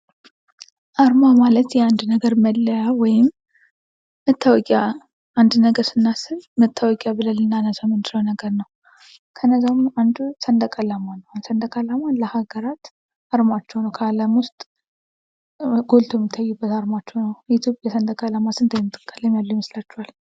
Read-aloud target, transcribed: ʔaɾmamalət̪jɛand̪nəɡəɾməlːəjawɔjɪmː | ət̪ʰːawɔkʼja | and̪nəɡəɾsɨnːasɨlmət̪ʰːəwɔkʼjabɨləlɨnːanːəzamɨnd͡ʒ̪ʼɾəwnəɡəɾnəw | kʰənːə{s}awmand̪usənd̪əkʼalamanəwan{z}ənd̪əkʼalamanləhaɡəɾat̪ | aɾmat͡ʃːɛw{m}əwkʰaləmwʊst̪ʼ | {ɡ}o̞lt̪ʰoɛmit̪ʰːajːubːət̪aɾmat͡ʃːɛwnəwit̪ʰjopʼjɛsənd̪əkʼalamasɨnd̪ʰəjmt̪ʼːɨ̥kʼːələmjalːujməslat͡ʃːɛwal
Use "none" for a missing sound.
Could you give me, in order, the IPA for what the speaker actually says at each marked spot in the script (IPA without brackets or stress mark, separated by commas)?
z, s, n, ɡ